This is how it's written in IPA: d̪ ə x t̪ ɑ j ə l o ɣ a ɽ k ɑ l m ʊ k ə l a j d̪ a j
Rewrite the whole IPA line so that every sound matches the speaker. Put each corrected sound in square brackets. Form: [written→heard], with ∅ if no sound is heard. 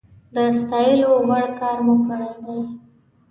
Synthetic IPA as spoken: d̪ ə [x→s] t̪ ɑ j ə l o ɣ a ɽ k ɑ [l→ɾ] m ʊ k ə [l→ɽ] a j d̪ a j

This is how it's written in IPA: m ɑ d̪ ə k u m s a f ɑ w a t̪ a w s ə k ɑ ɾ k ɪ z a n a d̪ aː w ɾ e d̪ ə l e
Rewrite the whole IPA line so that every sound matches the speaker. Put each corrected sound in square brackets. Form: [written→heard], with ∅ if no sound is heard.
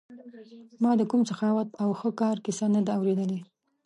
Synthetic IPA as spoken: m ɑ d̪ ə k u m s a [f→x] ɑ w a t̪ a w [s→x] ə k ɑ ɾ k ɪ [z→s] a n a d̪ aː w ɾ e d̪ ə l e

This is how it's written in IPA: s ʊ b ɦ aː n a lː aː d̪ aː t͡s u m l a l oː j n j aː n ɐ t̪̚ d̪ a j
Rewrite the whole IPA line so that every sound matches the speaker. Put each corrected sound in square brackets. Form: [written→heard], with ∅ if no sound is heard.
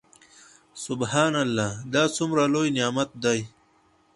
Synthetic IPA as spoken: s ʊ b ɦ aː n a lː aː d̪ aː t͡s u m [l→ɾ] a l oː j n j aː [n→m] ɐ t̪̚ d̪ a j

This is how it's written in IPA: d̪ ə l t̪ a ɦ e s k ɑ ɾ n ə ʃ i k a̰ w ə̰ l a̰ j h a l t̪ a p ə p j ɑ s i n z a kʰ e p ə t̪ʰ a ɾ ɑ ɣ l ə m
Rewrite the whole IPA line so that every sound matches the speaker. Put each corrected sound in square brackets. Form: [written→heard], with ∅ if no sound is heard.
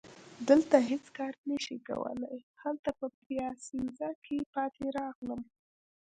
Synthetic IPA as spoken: d̪ ə l t̪ a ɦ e [s→t͡s] k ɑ ɾ n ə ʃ i k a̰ w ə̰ l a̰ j h a l t̪ a p ə p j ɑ s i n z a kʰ e p [ə→ɑ] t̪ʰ [a→e] ɾ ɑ ɣ l ə m

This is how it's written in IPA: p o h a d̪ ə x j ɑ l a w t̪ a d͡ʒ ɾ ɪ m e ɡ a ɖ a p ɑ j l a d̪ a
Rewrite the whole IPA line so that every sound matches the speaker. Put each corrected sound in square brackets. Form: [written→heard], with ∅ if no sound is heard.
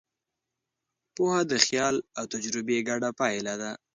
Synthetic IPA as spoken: p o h a d̪ ə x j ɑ l a w t̪ a d͡ʒ ɾ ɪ [m→b] e ɡ a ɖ a p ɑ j l a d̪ a

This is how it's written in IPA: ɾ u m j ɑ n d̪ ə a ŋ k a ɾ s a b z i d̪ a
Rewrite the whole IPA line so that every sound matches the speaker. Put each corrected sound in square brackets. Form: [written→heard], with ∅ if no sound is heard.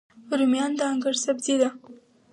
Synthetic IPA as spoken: ɾ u m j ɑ n d̪ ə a ŋ [k→ɡ] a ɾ s a b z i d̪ a

